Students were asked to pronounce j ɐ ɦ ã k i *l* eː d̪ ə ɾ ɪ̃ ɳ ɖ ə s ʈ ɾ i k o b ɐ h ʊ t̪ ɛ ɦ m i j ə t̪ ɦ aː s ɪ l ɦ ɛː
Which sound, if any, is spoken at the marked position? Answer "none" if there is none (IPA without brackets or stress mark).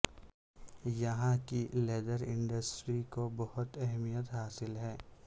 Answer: l